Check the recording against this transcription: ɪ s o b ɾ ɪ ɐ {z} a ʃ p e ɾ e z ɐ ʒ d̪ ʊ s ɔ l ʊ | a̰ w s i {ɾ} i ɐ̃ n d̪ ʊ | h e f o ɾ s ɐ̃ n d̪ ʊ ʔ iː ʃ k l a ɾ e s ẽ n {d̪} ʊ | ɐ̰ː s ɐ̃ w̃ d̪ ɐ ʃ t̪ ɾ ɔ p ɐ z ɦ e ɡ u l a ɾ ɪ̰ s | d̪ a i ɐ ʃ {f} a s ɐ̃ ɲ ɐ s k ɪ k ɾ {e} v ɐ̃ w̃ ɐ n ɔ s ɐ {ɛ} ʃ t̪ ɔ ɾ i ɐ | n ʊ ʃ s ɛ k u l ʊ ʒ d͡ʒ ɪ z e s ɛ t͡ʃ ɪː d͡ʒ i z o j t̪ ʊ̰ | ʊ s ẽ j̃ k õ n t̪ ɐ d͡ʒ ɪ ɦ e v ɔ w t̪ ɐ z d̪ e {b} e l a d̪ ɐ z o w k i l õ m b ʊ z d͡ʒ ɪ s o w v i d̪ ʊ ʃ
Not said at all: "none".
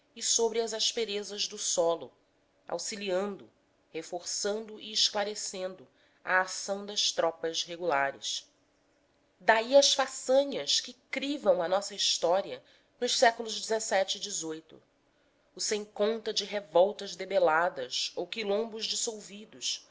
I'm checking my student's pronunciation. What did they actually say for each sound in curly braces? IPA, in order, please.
z, l, d̪, f, i, i, b

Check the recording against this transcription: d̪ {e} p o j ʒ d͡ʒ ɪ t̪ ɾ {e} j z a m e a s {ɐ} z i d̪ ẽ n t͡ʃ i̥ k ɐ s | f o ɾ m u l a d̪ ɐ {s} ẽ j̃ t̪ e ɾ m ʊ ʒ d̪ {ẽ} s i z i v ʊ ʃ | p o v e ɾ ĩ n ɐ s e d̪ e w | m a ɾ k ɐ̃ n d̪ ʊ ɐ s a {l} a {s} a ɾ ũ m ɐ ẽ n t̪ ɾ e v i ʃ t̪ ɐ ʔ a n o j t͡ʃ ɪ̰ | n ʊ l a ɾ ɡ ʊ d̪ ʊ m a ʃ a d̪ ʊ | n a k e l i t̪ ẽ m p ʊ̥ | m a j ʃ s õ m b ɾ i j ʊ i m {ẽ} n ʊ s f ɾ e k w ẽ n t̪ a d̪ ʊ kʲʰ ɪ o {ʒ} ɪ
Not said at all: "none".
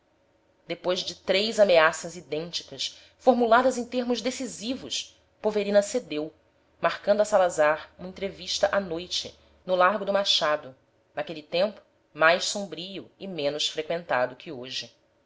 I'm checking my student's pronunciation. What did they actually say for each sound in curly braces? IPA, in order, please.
e, e, ɐ, z, e, l, z, ẽ, ʒ

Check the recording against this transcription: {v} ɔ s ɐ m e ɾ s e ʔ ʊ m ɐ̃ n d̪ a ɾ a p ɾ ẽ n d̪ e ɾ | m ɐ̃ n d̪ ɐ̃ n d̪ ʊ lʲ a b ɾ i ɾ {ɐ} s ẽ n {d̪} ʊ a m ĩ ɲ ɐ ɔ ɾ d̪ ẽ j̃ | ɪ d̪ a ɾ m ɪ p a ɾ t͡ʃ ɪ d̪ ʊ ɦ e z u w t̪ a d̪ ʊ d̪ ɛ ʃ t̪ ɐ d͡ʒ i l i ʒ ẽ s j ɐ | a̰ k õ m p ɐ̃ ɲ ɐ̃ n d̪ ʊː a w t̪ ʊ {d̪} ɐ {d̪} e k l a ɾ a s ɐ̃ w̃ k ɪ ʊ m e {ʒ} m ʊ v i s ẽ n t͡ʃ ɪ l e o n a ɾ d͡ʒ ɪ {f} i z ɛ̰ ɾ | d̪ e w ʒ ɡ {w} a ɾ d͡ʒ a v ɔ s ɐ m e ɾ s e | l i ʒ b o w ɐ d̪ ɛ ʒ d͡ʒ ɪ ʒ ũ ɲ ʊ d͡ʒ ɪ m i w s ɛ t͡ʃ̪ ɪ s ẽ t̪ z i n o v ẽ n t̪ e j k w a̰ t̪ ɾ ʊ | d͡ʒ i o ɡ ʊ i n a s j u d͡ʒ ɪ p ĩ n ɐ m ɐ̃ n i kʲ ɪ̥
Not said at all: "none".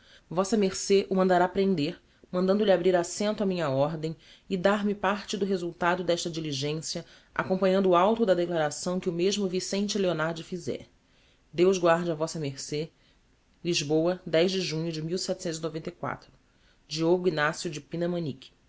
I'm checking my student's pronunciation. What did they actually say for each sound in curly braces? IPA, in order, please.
v, a, t̪, d̪, d̪, ʒ, f, w

